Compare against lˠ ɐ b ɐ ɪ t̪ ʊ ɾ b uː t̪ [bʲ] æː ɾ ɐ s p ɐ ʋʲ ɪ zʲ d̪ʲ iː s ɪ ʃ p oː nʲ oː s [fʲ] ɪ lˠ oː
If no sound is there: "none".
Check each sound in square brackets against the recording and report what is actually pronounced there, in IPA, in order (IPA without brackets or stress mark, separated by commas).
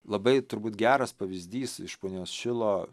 ɡʲ, ʃʲ